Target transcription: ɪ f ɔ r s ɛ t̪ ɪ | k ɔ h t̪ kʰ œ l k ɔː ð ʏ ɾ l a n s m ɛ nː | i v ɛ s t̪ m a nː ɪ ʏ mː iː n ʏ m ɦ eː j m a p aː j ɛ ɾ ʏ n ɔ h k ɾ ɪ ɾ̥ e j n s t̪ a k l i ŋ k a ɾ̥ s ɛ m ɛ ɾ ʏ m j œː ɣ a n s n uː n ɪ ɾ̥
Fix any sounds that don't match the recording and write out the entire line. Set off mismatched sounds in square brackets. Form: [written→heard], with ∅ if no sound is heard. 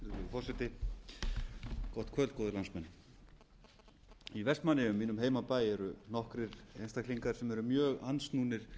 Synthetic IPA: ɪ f ɔ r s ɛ t̪ ɪ | k ɔ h t̪ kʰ œ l k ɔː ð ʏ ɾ l a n s m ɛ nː | i v ɛ s t̪ m a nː ɪ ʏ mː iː n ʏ m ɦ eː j m a p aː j ɛ ɾ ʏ n ɔ h k ɾ ɪ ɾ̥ e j n s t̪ a k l i ŋ k a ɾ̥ s ɛ m ɛ ɾ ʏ m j œː ɣ a n s n uː n ɪ ɾ̥